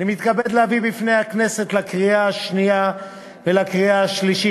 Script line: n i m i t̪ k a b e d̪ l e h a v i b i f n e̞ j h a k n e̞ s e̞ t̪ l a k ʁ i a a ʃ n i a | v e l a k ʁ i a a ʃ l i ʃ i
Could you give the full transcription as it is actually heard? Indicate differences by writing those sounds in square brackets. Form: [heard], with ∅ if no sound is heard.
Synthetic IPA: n i m i t̪ k a b e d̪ l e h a v i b i f n e̞ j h a k n e̞ s e̞ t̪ l a k ʁ i a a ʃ n i a | v e l a k ʁ i a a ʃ l i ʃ i